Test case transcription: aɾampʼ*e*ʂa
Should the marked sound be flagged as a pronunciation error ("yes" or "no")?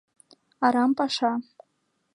yes